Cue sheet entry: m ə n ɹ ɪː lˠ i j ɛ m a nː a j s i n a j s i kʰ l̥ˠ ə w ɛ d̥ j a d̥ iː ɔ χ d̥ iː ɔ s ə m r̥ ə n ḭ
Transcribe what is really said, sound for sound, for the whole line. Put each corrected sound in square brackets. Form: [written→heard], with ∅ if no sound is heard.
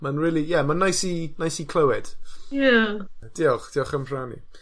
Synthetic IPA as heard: m [ə→a] n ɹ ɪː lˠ i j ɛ m a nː a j s i n a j s i kʰ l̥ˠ ə w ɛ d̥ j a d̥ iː ɔ χ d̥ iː ɔ [s→χ] ə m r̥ [ə→a] n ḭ